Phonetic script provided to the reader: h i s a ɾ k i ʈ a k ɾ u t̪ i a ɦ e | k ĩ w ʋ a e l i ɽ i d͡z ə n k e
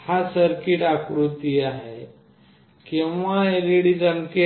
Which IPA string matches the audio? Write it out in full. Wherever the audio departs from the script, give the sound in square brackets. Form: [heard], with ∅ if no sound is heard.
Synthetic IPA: h [a] s [ə] ɾ k i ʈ a k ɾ u t̪ i a ɦ e | k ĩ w ʋ a e l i ɽ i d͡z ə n k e